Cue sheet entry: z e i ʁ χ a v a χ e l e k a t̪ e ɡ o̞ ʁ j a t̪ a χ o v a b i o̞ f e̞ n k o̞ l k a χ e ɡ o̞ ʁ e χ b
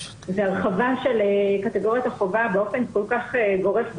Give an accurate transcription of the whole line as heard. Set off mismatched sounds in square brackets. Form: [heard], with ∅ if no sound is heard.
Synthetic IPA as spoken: z e [a] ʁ χ a v a [ʃ] e l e k a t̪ e ɡ o̞ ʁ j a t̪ a χ o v a b [e] o̞ f e̞ n k o̞ l k a χ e ɡ o̞ ʁ e [f] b